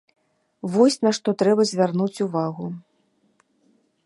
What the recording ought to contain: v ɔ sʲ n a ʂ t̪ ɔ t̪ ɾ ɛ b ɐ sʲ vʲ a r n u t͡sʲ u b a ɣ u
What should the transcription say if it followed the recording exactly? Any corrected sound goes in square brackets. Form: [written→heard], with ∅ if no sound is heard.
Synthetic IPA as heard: v ɔ sʲ n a ʂ t̪ ɔ t̪ ɾ ɛ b ɐ [sʲ→zʲ] vʲ a r n u t͡sʲ u [b→v] a ɣ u